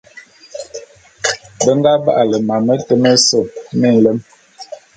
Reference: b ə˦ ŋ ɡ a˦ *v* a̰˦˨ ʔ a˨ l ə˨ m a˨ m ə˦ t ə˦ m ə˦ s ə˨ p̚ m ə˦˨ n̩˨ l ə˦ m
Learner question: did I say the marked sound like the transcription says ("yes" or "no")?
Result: no